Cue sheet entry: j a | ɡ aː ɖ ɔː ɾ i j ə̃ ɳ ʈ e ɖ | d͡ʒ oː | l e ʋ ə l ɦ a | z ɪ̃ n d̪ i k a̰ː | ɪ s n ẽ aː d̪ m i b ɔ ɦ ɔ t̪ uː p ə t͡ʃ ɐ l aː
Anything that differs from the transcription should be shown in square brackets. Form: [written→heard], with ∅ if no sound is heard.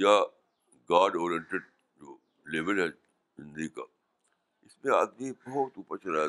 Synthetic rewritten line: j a | ɡ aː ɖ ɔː ɾ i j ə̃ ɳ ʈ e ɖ | d͡ʒ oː | l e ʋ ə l ɦ [a→ɛ] | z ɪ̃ n d̪ i k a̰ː | ɪ s [n→m] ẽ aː d̪ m i b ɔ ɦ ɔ t̪ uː p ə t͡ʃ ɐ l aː